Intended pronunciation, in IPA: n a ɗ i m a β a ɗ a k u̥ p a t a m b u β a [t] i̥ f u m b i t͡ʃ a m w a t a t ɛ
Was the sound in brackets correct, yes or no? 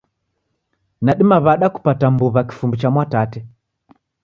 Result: no